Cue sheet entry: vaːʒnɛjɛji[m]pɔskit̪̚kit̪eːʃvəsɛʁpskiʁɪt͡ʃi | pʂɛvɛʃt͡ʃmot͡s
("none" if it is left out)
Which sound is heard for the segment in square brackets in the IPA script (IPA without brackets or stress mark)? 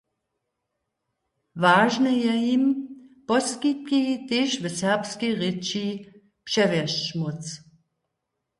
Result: m